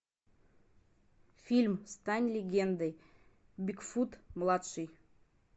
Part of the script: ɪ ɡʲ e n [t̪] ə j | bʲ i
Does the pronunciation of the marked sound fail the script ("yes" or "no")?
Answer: yes